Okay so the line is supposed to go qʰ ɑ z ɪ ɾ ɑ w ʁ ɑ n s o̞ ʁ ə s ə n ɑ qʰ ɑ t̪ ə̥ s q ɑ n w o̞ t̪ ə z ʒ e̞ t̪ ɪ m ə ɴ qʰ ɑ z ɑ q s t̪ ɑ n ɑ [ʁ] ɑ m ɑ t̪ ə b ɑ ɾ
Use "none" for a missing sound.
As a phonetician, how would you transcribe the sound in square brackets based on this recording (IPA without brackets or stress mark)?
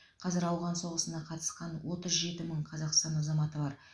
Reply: z